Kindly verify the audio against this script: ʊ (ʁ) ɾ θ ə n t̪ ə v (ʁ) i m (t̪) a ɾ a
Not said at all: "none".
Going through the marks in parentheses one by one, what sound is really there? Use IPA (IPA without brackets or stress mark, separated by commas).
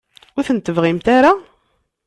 none, ʁ, t̪